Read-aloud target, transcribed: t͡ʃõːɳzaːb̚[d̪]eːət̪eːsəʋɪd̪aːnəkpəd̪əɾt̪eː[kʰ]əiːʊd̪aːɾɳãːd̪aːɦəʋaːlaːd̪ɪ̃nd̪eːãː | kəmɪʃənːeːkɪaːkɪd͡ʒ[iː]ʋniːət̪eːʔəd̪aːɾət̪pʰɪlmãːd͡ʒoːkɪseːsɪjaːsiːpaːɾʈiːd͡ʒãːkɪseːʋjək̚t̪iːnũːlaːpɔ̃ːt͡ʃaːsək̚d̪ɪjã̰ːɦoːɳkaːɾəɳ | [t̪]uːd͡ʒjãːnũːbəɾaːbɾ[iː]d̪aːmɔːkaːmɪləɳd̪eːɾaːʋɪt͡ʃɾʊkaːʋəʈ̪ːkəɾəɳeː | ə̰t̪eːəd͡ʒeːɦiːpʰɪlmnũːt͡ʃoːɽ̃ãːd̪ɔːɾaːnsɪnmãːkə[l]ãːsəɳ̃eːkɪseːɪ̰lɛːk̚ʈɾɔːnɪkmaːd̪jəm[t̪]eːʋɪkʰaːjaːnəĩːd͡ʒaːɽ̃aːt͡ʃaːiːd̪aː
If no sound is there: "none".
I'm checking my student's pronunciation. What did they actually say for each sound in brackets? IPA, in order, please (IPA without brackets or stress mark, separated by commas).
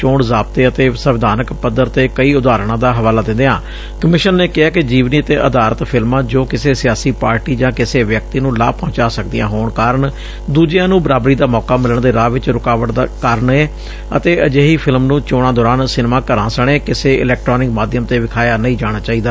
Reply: t̪, k, iː, d̪, iː, ɾ, t̪